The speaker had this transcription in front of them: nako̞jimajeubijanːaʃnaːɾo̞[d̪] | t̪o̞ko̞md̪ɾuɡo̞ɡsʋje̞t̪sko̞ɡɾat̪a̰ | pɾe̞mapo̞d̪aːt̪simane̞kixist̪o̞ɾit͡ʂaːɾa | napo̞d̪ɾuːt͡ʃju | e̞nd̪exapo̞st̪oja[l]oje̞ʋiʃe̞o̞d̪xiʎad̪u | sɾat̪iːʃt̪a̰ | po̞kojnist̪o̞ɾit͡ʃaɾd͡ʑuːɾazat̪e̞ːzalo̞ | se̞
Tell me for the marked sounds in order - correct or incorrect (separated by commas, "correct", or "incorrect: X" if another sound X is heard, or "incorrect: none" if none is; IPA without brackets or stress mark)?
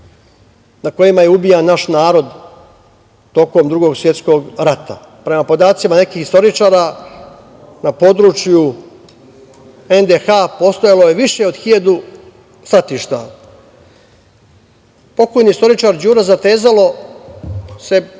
correct, correct